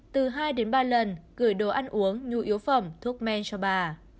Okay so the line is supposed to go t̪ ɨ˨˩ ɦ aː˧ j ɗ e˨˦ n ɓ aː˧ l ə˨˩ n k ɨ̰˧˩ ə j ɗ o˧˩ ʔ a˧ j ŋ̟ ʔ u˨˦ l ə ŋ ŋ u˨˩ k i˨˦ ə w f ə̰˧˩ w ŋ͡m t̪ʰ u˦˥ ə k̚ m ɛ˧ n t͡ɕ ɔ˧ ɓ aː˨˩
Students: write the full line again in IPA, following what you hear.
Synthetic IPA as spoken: t̪ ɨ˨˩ ɦ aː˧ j ɗ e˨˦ n ɓ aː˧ l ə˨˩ n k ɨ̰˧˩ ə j ɗ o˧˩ ʔ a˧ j ŋ̟ ʔ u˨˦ ə ŋ ɲ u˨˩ ʔ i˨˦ ə w f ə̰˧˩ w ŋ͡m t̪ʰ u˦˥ ə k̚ m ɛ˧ n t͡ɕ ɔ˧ ɓ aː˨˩